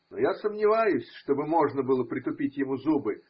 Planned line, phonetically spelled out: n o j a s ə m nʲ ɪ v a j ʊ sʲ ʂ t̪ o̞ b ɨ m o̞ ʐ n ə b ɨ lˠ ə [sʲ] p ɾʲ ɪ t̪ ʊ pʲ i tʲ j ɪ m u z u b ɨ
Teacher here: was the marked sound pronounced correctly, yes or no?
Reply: no